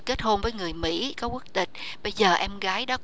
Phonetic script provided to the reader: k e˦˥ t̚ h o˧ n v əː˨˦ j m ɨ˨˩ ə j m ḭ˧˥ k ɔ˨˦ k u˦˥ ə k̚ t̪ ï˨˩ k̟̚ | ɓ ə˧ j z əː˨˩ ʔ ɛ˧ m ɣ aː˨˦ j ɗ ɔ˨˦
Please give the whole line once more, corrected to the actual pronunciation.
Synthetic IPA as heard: k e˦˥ t̚ h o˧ n v əː˨˦ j ŋ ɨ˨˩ ə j m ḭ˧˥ k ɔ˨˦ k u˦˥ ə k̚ t̪ ï˨˩ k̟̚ | ɓ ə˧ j z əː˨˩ ʔ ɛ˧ m ɣ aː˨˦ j ɗ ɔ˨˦

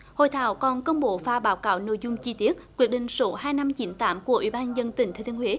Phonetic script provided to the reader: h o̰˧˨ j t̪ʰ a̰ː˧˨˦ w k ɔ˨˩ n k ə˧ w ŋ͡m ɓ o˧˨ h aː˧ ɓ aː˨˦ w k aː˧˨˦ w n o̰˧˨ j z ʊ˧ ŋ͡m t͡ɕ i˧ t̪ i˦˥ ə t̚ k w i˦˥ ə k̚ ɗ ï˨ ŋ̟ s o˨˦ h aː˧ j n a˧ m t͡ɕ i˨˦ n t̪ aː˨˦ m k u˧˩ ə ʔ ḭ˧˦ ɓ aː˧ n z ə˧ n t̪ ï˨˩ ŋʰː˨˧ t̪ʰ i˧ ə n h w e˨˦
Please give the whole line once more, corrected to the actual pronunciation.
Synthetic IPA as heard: h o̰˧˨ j t̪ʰ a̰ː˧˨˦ w k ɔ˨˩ n k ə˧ w ŋ͡m ɓ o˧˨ f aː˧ ɓ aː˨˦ w k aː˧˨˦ w n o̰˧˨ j z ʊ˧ ŋ͡m t͡ɕ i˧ t̪ i˦˥ ə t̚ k w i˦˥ ə k̚ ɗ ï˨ ŋ̟ s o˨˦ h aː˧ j n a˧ m t͡ɕ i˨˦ n t̪ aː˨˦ m k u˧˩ ə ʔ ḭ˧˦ ɓ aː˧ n z ə˧ n t̪ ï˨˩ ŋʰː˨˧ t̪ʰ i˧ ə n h w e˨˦

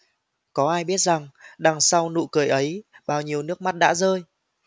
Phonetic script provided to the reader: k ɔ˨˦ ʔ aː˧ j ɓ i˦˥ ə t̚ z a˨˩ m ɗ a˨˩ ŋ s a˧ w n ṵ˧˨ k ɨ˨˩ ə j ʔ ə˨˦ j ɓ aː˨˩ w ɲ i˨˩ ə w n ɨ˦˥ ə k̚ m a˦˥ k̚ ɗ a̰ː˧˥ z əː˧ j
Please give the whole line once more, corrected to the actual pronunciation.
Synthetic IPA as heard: k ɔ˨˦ ʔ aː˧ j ɓ i˦˥ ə t̚ z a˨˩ ŋ ɗ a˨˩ ŋ s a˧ w n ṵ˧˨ k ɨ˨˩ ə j ʔ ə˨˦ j ɓ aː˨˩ w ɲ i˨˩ ə w n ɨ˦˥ ə k̚ m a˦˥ t̚ ɗ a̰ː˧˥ z əː˧ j

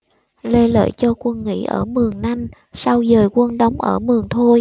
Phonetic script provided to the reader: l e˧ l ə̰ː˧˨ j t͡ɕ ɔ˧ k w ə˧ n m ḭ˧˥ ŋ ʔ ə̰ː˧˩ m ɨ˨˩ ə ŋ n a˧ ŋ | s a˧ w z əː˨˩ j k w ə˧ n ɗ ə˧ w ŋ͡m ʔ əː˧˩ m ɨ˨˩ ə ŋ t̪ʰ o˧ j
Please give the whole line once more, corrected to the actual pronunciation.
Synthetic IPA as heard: l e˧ l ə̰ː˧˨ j t͡ɕ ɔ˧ k w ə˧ n ŋ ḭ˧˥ ʔ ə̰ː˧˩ m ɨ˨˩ ə ŋ n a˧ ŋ | s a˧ w z əː˨˩ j k w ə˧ n ɗ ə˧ w ŋ͡m ʔ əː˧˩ m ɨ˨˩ ə ŋ t̪ʰ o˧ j

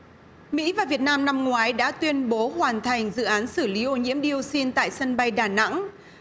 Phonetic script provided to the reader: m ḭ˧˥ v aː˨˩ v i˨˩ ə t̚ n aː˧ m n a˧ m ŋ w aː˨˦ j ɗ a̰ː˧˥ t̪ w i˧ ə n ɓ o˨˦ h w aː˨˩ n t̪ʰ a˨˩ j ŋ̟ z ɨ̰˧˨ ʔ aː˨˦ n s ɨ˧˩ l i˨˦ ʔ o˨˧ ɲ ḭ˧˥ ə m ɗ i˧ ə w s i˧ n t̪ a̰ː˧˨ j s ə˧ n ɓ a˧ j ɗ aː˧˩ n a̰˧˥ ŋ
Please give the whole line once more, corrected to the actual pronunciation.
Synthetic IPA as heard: m ḭ˧˥ v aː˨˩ v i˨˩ ə t̚ n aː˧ m n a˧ m ŋ w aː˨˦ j ɗ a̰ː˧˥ t̪ w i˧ ə n ɓ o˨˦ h w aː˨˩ n t̪ʰ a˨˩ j ŋ̟ z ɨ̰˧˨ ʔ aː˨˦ n s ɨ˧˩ l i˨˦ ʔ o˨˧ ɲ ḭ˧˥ ə m ɗ i˧ ə w s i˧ n t̪ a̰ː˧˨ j s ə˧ n ɓ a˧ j ɗ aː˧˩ n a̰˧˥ ŋ

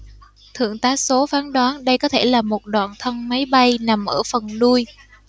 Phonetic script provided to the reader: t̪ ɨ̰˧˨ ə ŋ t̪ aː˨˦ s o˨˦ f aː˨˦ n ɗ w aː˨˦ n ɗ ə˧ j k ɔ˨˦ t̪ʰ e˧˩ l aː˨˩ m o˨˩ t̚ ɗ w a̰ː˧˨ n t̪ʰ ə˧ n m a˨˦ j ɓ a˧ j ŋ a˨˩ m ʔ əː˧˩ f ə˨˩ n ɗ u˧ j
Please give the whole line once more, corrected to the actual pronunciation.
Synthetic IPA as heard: t̪ʰ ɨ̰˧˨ ə ŋ t̪ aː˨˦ s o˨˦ f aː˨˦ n ɗ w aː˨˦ n ɗ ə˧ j k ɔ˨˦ t̪ʰ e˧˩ l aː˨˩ m o˨˩ t̚ ɗ w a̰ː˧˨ n t̪ʰ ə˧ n m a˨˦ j ɓ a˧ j n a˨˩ m ʔ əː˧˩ f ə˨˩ n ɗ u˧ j

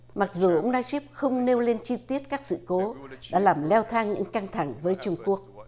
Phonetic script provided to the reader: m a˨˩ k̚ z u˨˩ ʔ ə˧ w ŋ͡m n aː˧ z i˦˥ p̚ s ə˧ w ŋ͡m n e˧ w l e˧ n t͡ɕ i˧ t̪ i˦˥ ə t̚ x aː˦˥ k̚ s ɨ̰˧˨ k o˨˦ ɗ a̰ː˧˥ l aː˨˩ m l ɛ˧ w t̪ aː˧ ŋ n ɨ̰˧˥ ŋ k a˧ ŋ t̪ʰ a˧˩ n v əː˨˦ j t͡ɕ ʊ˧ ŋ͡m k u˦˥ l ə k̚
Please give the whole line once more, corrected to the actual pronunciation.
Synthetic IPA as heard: m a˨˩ k̚ z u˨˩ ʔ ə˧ w ŋ͡m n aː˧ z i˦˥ p̚ x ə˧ w ŋ͡m n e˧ w l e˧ n t͡ɕ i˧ t̪ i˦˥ ə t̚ k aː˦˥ k̚ s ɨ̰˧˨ k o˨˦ ɗ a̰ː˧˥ l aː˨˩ m l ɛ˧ w t̪ʰ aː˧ ŋ ɲ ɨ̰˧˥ ŋ k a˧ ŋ t̪ʰ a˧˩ ŋ v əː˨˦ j t͡ɕ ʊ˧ ŋ͡m k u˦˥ ə k̚

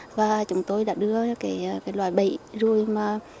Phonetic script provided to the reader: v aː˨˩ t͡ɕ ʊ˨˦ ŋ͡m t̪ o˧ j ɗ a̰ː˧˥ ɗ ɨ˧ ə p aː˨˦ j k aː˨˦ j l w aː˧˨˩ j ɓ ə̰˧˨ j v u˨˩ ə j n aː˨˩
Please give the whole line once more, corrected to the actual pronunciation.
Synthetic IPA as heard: v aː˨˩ t͡ɕ ʊ˨˦ ŋ͡m t̪ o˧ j ɗ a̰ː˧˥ ɗ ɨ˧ ə k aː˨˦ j k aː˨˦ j l w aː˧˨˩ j ɓ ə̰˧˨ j z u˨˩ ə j m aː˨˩

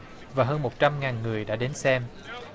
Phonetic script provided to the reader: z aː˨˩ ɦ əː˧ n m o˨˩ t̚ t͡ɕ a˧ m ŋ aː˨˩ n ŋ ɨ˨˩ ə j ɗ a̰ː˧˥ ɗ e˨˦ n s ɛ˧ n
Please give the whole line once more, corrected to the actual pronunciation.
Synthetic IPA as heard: v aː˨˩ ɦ əː˧ n m o˨˩ t̚ t͡ɕ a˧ m ŋ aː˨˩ n ŋ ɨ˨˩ ə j ɗ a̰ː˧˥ ɗ e˨˦ n s ɛ˧ m

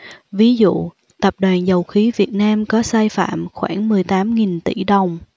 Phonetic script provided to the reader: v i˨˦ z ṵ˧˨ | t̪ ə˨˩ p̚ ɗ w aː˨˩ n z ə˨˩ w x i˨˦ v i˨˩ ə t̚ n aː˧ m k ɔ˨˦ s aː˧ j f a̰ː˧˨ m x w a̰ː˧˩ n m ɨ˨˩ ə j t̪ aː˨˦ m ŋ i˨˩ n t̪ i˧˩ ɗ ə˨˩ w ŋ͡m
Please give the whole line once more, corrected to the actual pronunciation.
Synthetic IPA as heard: v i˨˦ z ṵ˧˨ | t̪ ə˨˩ p̚ ɗ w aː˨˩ n z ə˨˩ w x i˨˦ v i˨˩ ə t̚ n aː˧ m k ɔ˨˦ s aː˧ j f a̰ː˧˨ m x w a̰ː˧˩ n m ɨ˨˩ ə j t̪ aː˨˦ m ŋ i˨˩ n t̪ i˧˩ ɗ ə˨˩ w ŋ͡m

